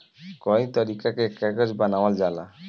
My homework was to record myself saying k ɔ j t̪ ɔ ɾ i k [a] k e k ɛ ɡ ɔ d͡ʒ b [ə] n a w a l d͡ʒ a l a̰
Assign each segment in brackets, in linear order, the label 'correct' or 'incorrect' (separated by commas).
correct, incorrect